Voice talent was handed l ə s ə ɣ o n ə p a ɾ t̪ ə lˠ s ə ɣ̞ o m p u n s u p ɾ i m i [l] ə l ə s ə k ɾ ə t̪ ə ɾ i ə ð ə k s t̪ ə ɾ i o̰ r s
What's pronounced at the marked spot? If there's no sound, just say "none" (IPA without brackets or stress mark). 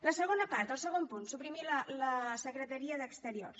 l